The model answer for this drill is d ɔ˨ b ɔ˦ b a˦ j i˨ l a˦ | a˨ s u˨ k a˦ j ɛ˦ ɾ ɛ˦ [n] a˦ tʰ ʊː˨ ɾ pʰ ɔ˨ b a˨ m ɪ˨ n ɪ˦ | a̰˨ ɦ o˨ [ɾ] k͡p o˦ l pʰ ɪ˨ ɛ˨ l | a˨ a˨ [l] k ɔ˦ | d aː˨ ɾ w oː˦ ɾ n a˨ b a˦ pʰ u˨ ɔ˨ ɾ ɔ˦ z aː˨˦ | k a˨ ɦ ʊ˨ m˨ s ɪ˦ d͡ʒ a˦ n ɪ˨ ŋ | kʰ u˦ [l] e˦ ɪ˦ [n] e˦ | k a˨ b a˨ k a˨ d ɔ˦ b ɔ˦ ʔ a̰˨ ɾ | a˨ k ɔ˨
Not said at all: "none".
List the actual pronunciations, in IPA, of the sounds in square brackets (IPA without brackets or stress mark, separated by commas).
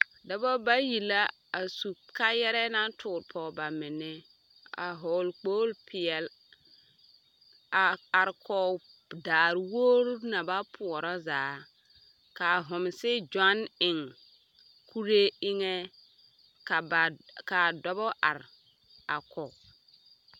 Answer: n, l, ɾ, ɾ, ŋ